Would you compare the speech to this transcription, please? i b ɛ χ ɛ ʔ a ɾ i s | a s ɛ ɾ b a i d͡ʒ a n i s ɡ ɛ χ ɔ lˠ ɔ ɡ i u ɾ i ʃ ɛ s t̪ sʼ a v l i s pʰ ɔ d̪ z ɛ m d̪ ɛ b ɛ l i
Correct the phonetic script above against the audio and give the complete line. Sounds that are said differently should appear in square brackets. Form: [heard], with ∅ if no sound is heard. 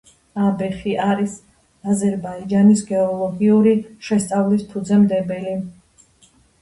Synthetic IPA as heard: [a] b ɛ χ [i] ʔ a ɾ i s | a [z] ɛ ɾ b a i d͡ʒ a n i s ɡ ɛ [∅] ɔ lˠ ɔ ɡ i u ɾ i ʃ ɛ s t̪ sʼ a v l i s pʰ [u] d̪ z ɛ m d̪ ɛ b ɛ l i